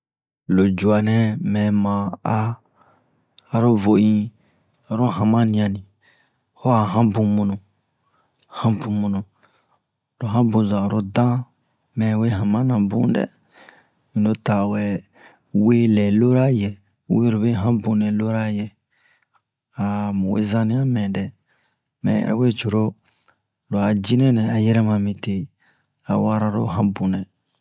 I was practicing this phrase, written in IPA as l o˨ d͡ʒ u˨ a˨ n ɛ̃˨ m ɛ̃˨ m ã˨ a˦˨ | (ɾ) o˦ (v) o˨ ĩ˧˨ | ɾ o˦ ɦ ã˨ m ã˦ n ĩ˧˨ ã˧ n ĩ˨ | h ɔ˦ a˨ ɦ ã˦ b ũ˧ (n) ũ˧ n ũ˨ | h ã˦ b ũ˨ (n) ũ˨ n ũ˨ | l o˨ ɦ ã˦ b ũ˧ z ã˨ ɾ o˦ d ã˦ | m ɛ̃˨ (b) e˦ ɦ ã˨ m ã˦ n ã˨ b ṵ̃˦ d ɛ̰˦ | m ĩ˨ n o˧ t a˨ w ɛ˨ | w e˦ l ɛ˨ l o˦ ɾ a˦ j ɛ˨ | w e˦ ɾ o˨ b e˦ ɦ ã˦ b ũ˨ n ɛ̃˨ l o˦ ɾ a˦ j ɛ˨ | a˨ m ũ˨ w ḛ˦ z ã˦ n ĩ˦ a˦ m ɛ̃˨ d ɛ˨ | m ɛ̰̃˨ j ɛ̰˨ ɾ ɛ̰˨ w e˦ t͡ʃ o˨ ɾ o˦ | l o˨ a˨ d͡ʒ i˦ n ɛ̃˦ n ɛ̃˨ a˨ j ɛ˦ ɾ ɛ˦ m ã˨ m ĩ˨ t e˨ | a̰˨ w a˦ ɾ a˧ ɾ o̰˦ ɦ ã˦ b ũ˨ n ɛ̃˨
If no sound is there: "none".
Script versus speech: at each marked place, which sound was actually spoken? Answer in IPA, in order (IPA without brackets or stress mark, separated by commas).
ɾ, v, m, m, w